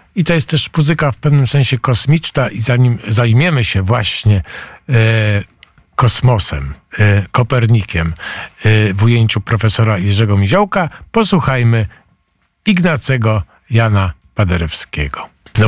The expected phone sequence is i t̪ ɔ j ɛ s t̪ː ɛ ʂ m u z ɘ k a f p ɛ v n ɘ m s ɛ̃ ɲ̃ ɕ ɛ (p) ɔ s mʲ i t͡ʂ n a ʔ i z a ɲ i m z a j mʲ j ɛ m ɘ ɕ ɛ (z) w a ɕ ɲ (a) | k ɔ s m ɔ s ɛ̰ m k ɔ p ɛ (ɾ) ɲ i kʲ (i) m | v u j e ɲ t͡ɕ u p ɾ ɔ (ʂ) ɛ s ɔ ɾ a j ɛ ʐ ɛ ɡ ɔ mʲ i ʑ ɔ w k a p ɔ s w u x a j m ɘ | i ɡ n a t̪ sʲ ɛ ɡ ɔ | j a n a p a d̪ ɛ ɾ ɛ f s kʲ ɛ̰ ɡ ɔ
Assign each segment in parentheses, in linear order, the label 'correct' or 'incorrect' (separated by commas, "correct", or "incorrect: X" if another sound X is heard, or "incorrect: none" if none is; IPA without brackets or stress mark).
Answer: incorrect: k, incorrect: v, incorrect: ɛ, correct, incorrect: ɛ, incorrect: f